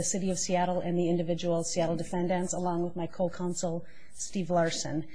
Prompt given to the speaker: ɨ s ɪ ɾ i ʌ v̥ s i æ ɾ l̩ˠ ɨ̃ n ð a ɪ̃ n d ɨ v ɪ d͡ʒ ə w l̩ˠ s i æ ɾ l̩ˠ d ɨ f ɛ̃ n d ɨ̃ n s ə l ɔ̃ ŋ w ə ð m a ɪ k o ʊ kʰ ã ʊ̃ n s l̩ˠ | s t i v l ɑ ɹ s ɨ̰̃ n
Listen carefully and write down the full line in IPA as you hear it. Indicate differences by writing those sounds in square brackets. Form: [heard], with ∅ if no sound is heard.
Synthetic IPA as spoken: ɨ s ɪ ɾ i ʌ v̥ s i æ ɾ l̩ˠ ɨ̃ n ð [i] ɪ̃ n d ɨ v ɪ d͡ʒ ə w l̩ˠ s i æ ɾ l̩ˠ d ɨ f ɛ̃ n d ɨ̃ n s ə l ɔ̃ ŋ w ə ð m a ɪ [kʰ] o ʊ kʰ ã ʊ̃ n s l̩ˠ | s t i v l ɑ ɹ s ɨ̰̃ n